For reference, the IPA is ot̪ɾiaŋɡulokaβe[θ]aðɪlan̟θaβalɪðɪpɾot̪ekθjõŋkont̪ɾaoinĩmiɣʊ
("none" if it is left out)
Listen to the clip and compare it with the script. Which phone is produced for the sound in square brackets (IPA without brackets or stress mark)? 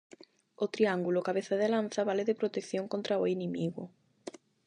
θ